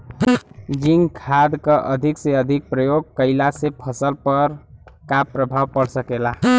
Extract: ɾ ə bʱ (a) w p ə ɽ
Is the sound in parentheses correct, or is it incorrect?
correct